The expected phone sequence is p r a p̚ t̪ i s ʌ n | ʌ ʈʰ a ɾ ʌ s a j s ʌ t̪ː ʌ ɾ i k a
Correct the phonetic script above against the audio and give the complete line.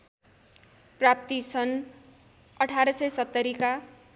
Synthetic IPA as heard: p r a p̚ t̪ i s ʌ n | ʌ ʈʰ a ɾ ʌ s ʌ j s ʌ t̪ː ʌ ɾ i k a